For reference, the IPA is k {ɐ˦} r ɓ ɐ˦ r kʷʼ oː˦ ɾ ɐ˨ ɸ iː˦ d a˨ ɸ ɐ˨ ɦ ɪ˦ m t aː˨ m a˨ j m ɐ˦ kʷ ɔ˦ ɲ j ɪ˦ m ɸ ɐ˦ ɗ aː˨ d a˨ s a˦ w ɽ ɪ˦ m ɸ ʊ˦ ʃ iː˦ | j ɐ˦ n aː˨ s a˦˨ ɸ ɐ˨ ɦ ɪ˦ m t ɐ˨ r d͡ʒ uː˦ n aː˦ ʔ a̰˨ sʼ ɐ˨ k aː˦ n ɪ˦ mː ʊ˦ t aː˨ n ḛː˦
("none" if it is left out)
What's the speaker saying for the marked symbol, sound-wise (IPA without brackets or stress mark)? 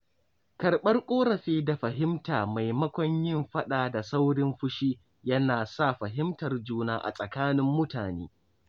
ɐ˨